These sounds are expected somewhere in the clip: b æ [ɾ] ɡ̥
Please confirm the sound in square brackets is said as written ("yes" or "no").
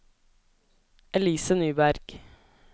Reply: yes